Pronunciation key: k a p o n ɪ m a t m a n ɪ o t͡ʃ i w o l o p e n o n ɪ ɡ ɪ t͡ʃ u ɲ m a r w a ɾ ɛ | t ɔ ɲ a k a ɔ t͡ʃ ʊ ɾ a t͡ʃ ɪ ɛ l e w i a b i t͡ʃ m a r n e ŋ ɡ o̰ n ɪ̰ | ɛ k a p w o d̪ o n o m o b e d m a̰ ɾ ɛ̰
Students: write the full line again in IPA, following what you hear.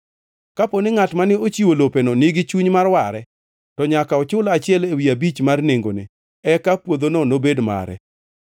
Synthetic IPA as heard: k a p o n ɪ ŋ a t m a n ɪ o t͡ʃ i w o l o p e n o n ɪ ɡ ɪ t͡ʃ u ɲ m a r w a ɾ ɛ | t ɔ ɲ a k a ɔ t͡ʃ ʊ l a t͡ʃ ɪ ɛ l e w i a b i t͡ʃ m a r n e ŋ ɡ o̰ n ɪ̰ | ɛ k a p w o d̪ o n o n o b e d m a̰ ɾ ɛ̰